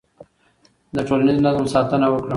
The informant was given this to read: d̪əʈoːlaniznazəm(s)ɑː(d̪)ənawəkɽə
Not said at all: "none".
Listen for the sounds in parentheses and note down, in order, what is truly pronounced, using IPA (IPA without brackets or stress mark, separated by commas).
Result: s, t̪